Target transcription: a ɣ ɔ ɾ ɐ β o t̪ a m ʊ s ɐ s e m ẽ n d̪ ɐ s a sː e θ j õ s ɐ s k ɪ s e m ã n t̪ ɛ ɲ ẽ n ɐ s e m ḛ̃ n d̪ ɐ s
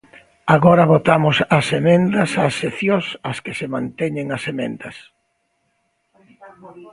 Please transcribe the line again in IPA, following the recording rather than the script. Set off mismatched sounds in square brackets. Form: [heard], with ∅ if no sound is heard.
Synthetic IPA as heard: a ɣ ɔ ɾ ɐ β o t̪ a m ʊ s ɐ s e m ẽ n d̪ ɐ s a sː e θ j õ s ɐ s k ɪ s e m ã n t̪ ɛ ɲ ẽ [ŋ] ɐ s e m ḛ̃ n d̪ ɐ s